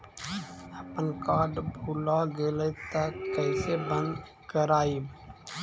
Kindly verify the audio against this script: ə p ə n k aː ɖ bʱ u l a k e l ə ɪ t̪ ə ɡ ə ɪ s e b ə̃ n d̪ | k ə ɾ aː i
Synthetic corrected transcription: ə p ə n k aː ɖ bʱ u l a ɡ e l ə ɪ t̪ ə k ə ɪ s e b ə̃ n d̪ | k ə ɾ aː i

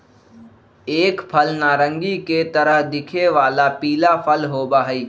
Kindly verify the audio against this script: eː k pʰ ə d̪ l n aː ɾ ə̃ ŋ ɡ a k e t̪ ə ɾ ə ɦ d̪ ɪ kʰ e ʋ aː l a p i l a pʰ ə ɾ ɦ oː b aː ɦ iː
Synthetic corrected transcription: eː k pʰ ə l n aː ɾ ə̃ ŋ ɡ i k e t̪ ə ɾ ə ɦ d̪ ɪ kʰ e ʋ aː l a p iː l a pʰ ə l ɦ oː b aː ɦ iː

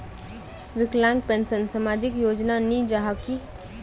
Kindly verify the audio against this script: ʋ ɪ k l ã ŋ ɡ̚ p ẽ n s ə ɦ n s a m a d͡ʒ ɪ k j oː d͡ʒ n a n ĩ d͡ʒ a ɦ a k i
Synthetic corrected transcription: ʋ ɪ k l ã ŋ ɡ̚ p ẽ n s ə n s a m a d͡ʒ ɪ k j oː d͡ʒ n a n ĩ d͡ʒ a ɦ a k i

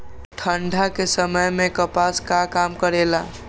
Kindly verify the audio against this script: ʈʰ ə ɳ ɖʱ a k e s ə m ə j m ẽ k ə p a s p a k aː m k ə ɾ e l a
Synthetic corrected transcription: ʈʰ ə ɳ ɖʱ a k e s ə m ə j m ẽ k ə p a s k a k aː m k ə ɾ e l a

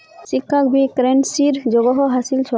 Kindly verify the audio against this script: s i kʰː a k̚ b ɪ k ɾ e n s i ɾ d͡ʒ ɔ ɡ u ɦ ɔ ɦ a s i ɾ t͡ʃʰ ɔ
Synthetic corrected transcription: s i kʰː a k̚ b i k ɾ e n s i ɾ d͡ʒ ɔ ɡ ɔ ɦ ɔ ɦ a s i l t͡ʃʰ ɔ

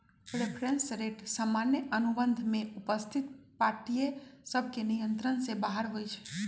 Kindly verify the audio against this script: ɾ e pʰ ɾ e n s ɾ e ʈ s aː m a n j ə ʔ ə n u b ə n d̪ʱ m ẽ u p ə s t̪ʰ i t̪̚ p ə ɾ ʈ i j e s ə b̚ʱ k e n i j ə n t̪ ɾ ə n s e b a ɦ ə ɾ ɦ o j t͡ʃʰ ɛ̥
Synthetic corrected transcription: ɾ e pʰ ɾ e n s ɾ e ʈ s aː m a n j ə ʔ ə n u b ə n d̪ʱ m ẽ u p ə s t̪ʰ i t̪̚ p a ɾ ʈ i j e s ə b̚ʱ k e n i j ə n t̪ ɾ ə n s e b a ɦ ə ɾ ɦ o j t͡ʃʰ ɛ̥

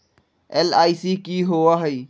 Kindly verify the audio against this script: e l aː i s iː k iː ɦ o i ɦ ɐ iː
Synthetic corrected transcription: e l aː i s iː k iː ɦ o a ɦ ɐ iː

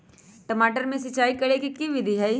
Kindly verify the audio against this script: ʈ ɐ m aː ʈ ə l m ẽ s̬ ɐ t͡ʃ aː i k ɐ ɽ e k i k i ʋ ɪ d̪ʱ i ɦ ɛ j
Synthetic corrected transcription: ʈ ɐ m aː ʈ ə ɾ m ẽ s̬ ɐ t͡ʃ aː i k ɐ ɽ e k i k i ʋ ɪ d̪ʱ i ɦ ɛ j

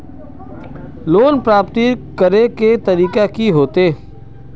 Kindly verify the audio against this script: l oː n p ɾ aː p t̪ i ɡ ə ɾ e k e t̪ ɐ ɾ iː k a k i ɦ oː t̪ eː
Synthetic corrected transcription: l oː n p ɾ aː p t̪ i k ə ɾ e k e t̪ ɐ ɾ iː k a k i ɦ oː t̪ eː

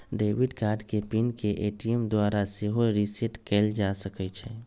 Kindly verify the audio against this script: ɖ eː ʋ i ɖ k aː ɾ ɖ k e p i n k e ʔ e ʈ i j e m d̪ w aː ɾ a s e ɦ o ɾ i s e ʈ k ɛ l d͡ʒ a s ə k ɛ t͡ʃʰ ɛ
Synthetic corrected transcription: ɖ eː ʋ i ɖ k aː ɾ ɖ k e p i n k e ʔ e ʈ i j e m d̪ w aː ɾ a s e ɦ o ɾ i s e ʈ k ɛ l d͡ʒ a s ə k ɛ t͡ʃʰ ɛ

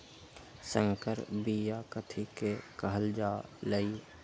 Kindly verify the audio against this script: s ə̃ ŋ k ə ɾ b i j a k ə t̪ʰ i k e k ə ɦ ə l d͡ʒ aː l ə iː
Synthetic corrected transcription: s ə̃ ŋ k ə ɾ b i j a k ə t̪ʰ i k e k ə ɦ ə l d͡ʒ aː l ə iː

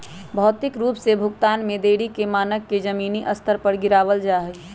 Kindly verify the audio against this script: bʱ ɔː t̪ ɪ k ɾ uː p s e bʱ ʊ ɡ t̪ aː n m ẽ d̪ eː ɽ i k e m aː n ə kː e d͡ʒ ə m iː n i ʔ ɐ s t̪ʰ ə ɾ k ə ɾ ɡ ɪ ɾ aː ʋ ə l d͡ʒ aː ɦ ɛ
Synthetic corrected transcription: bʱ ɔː t̪ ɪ k ɾ uː p s e bʱ ʊ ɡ t̪ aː n m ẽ d̪ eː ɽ i k e m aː n ə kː e d͡ʒ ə m iː n i ʔ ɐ s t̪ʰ ə ɾ p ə ɾ ɡ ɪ ɾ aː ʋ ə l d͡ʒ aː ɦ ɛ

